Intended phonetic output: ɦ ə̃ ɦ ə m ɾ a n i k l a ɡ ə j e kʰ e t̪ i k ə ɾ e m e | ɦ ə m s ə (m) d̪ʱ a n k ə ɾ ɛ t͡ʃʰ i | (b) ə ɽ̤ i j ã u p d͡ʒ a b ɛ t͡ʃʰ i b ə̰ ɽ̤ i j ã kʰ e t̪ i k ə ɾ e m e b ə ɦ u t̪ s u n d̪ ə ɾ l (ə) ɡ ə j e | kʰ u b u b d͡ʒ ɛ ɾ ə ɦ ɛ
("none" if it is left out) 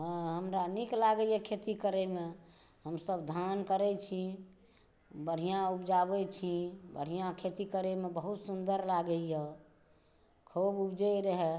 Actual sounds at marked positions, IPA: b, b, a

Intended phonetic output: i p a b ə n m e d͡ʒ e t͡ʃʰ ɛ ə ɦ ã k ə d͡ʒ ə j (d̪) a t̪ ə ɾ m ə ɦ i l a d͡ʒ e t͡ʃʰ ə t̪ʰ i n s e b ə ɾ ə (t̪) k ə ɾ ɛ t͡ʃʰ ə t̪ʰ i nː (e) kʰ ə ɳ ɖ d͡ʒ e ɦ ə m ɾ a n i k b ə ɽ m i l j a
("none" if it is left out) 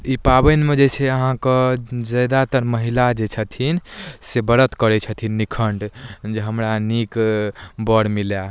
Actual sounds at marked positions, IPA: d̪, t̪, i

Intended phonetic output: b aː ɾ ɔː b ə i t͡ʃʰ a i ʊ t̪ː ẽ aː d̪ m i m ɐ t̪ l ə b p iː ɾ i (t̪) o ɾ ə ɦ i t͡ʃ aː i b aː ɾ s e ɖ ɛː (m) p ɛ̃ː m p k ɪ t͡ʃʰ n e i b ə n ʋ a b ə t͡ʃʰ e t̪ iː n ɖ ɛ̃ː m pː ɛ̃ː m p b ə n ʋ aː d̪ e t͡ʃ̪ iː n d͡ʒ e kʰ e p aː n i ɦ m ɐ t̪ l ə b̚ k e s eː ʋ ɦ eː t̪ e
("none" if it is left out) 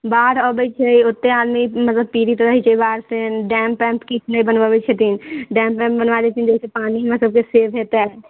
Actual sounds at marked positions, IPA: t̪, m

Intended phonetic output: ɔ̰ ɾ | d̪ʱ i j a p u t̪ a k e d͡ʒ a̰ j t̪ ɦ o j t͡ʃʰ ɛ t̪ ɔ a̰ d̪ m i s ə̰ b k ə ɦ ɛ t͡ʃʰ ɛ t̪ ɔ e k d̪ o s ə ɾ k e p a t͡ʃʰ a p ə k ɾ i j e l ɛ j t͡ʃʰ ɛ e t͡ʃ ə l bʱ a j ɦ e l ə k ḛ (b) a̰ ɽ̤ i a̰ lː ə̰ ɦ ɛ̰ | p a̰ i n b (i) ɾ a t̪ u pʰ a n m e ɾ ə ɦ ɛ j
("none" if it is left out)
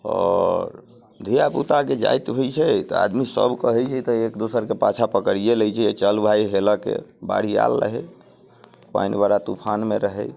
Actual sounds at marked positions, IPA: b, a

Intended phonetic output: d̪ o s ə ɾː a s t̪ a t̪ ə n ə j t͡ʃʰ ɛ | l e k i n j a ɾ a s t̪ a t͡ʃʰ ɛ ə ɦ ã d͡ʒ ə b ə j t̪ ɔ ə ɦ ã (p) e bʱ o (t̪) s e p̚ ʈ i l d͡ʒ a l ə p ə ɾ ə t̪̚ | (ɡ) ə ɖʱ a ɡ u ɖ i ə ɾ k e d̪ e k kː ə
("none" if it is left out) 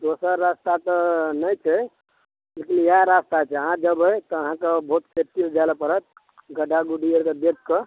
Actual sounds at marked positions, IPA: k, t̪, ɡ

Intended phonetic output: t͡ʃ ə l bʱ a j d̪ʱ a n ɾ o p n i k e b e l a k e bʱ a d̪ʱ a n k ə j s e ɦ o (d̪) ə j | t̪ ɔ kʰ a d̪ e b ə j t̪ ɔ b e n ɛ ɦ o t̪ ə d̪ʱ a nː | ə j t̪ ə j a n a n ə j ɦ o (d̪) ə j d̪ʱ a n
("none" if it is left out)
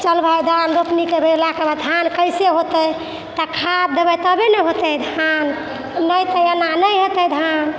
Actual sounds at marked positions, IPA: t̪, t̪

